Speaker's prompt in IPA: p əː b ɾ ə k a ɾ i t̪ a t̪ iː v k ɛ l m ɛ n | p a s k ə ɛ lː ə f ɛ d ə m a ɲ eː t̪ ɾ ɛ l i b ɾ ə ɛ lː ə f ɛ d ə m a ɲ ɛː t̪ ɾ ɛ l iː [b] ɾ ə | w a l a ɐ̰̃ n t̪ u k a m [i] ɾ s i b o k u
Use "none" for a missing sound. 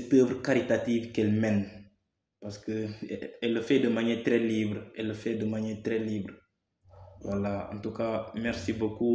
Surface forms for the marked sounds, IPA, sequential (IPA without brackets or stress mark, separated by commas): b, ɛ